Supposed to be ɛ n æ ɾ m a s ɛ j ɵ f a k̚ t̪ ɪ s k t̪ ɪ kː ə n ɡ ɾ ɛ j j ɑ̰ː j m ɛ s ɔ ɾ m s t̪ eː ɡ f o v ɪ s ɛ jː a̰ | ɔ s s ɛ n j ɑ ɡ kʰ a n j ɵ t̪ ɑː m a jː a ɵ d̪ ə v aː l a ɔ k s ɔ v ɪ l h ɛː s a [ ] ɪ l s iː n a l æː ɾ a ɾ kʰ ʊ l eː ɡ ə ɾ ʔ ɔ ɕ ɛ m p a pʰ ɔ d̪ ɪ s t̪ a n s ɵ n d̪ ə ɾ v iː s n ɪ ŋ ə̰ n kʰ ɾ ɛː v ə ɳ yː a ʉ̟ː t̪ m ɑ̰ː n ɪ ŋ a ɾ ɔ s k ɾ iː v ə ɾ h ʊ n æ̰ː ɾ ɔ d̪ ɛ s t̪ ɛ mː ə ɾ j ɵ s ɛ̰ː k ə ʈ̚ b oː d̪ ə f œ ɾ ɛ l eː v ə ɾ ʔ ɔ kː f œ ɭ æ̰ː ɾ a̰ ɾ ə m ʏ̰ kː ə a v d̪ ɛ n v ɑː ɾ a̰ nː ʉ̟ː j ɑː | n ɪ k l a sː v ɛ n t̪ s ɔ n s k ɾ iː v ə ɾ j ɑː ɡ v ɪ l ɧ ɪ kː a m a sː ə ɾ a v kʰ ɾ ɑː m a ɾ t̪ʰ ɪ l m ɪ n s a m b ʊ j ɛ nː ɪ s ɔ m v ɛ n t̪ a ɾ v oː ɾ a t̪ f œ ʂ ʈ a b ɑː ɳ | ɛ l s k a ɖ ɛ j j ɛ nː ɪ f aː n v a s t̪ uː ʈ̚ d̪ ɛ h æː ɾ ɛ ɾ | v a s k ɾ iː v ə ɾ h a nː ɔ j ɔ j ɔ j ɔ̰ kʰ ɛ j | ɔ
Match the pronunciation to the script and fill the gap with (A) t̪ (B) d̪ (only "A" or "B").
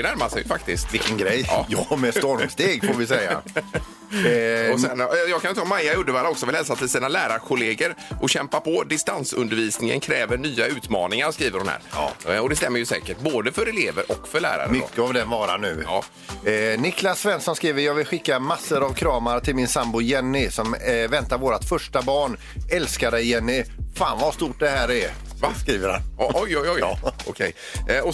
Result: A